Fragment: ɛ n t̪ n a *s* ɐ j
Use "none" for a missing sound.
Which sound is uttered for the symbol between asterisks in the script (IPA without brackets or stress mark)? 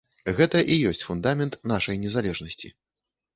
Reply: ʂ